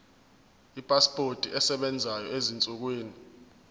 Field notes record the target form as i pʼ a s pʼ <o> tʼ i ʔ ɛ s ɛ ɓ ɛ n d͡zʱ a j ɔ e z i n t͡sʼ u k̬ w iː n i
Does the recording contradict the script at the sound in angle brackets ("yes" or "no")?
no